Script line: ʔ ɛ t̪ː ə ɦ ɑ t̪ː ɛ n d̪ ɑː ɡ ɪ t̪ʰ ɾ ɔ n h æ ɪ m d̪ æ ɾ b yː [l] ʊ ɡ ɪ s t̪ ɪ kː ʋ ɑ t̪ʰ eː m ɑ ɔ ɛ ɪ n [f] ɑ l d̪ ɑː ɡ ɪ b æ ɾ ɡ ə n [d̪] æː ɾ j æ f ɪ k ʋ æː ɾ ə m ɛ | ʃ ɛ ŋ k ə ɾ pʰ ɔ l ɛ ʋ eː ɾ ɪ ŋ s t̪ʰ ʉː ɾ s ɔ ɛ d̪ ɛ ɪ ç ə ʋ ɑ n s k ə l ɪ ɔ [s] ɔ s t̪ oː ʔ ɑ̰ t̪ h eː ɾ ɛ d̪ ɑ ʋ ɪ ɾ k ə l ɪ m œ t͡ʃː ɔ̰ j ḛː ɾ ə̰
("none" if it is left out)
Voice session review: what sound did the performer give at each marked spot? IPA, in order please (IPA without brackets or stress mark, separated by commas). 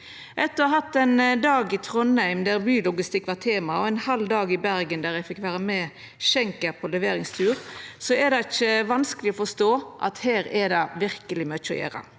l, h, d̪, f